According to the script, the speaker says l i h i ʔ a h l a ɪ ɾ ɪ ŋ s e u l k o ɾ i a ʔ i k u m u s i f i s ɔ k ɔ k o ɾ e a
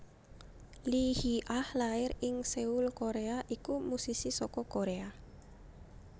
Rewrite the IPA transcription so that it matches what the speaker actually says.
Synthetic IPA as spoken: l i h i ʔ a h l a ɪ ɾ ɪ ŋ s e u l k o ɾ e a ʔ i k u m u s i s i s ɔ k ɔ k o ɾ e a